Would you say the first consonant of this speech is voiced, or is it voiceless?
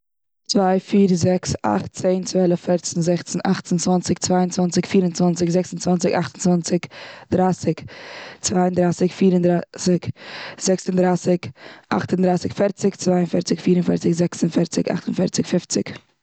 voiceless